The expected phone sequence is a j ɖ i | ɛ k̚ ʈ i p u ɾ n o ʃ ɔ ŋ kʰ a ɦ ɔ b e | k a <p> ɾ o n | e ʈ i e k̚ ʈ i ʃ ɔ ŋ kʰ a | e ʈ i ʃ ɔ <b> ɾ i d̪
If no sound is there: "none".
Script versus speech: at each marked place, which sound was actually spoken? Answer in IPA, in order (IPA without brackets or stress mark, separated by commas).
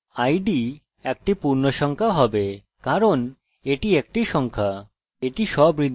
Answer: none, b